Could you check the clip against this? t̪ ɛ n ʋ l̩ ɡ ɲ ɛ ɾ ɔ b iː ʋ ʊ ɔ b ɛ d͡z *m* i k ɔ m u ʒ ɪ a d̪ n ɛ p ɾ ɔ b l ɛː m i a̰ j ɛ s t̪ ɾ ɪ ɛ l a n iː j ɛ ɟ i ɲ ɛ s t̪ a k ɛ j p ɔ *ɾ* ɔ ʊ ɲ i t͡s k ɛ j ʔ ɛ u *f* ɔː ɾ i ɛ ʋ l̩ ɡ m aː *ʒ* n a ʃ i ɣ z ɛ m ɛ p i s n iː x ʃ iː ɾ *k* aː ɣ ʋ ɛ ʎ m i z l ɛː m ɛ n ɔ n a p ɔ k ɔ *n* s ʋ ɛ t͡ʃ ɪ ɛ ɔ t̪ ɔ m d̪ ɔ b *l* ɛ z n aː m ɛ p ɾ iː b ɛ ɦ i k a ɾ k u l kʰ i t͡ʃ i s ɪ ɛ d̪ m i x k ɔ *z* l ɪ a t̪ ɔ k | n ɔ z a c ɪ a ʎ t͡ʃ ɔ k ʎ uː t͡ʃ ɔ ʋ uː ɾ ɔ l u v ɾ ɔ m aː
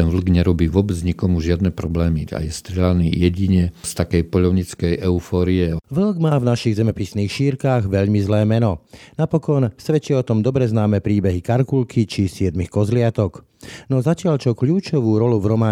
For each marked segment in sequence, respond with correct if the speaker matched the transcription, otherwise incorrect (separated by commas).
incorrect, incorrect, correct, incorrect, correct, correct, incorrect, correct